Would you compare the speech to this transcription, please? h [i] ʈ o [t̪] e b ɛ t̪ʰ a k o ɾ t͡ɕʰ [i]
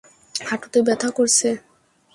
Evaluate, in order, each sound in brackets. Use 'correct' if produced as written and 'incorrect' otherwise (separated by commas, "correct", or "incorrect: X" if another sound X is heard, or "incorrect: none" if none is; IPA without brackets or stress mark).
incorrect: a, correct, incorrect: e